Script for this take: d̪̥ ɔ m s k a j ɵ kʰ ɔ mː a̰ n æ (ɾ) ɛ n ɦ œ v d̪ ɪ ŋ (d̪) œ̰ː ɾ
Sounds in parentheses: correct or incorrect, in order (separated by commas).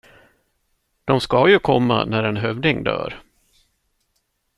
correct, correct